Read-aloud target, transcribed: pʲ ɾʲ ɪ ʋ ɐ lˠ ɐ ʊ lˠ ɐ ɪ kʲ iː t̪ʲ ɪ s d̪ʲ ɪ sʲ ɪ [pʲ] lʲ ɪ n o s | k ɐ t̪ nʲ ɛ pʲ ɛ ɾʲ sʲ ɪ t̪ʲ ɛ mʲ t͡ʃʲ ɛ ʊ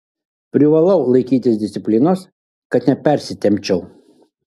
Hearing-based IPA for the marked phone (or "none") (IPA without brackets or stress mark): pʲ